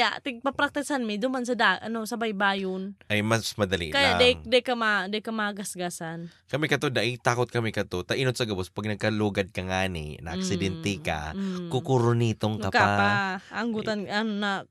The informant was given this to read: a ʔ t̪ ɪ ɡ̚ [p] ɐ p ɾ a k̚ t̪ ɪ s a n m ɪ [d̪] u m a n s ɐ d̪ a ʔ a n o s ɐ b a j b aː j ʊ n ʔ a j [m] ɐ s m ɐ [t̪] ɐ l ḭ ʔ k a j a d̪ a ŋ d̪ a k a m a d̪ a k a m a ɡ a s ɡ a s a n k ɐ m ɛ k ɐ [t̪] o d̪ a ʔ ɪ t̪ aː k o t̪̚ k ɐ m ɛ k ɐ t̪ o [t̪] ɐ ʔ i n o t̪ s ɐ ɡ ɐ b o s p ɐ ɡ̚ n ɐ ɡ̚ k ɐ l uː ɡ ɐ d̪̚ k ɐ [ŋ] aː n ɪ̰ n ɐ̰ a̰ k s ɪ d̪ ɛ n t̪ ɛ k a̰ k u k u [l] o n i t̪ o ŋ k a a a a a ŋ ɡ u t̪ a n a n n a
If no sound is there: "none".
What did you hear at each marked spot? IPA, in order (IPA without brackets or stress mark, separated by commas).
p, d̪, m, d̪, t̪, t̪, ŋ, ɾ